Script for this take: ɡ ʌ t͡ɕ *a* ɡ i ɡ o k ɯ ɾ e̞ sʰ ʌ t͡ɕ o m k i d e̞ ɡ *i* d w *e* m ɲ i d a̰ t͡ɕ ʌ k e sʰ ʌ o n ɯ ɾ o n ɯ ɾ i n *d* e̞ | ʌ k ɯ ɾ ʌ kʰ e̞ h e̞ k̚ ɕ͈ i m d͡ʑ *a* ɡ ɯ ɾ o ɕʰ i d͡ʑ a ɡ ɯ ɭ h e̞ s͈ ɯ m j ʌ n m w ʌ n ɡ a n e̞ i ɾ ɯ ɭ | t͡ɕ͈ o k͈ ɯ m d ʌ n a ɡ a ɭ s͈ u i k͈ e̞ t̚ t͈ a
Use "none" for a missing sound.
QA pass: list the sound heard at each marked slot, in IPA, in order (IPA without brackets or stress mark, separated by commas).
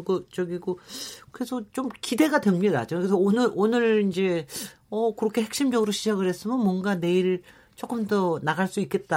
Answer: ʌ, a, e, d͡ʑ, ʌ